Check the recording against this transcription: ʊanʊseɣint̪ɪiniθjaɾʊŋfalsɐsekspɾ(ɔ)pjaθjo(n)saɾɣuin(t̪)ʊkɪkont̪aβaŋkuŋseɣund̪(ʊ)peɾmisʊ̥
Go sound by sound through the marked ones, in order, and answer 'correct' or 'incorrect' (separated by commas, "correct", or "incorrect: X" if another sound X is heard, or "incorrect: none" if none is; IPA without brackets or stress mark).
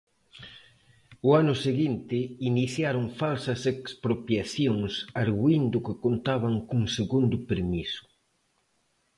incorrect: o, incorrect: ŋ, incorrect: d̪, correct